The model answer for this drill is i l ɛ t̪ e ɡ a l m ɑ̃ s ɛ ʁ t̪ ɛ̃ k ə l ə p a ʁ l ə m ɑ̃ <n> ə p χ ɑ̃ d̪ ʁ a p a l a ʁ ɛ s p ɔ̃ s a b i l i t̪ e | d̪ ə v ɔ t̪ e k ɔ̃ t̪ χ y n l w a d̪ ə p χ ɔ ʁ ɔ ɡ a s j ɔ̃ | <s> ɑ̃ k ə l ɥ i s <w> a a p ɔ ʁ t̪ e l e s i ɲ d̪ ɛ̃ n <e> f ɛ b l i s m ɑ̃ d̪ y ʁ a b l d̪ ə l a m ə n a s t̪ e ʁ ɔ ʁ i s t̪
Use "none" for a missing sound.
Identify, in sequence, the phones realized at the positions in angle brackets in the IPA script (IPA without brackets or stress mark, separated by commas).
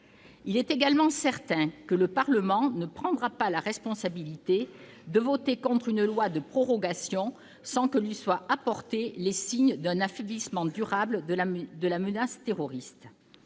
n, s, w, a